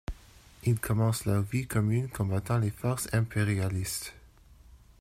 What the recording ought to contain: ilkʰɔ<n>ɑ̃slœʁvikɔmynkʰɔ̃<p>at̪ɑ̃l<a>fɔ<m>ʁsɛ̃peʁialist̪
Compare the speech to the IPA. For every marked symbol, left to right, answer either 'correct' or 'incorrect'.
incorrect: m, incorrect: b, incorrect: e, incorrect: none

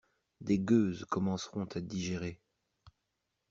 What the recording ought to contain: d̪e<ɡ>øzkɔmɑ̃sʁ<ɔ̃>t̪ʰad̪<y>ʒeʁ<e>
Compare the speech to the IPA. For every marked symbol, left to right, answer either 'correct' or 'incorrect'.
correct, correct, incorrect: i, correct

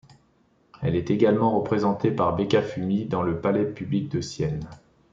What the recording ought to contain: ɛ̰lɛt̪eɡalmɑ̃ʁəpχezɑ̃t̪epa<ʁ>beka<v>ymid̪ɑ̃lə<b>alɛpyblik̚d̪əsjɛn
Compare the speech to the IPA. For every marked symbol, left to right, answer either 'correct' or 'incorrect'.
correct, incorrect: f, incorrect: p

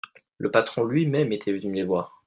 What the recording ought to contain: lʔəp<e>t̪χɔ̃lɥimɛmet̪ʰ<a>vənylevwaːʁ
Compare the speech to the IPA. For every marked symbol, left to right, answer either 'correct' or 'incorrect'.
incorrect: a, incorrect: ɛ

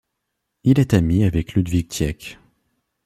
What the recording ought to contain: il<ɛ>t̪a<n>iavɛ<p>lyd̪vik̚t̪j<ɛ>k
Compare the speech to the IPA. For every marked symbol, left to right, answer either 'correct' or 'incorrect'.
correct, incorrect: m, incorrect: k, correct

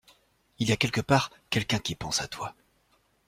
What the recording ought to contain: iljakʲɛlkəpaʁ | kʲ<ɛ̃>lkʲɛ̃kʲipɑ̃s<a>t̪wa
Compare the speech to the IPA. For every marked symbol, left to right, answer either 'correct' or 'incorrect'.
incorrect: ɛ, correct

